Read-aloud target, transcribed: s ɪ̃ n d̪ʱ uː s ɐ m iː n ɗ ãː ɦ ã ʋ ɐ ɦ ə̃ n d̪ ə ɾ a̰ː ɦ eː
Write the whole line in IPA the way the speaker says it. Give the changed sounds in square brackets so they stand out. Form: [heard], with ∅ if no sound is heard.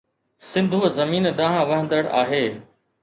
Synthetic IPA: s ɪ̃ n d̪ʱ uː [z] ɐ m iː n ɗ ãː ɦ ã ʋ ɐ ɦ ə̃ n d̪ ə [ɽ] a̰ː ɦ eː